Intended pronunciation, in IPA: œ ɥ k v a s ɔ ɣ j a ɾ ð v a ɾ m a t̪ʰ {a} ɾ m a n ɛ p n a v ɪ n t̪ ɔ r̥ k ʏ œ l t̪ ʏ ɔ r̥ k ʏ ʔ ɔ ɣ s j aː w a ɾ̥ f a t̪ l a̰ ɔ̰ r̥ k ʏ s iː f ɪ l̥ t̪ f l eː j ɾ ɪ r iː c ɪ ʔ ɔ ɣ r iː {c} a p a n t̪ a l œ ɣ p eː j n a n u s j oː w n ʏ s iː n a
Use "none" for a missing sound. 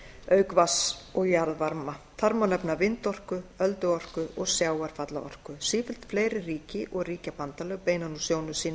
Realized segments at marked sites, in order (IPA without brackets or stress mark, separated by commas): a, c